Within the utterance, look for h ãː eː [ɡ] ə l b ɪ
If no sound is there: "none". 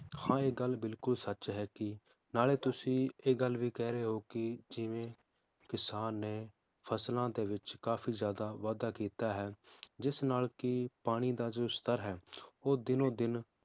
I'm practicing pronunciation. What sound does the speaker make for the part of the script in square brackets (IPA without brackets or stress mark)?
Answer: ɡ